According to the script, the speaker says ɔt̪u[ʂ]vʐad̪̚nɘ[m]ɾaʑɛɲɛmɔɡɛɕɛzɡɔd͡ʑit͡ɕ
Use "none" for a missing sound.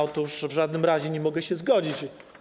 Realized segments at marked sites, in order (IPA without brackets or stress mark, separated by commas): ʂ, m